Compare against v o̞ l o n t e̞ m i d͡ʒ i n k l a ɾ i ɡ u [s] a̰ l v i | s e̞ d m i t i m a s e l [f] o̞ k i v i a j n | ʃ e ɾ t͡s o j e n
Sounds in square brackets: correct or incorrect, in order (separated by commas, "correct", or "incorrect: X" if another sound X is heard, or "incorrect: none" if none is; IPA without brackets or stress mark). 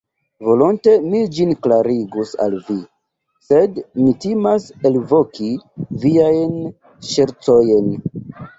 correct, incorrect: v